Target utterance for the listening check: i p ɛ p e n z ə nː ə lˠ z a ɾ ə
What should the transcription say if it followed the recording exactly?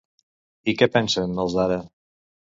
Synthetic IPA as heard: i k ɛ p ɛ n s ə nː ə lˠ z a ɾ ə